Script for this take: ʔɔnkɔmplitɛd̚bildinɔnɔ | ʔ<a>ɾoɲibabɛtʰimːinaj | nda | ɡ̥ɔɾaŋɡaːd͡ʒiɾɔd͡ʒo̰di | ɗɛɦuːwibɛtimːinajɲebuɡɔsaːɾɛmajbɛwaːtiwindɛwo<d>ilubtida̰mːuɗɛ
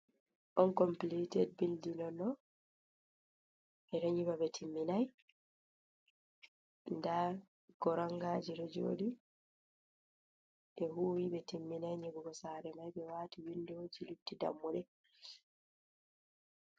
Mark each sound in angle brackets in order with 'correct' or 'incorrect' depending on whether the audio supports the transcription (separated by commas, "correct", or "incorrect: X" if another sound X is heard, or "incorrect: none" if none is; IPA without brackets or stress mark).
incorrect: ɛ, incorrect: d͡ʒ